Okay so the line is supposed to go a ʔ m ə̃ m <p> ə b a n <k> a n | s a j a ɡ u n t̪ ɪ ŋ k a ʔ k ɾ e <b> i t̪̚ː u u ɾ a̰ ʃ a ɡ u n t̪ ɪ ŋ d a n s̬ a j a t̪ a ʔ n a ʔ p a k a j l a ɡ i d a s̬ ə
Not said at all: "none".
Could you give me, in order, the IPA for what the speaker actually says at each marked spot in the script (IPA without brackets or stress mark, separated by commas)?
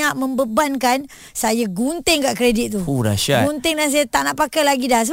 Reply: b, k, d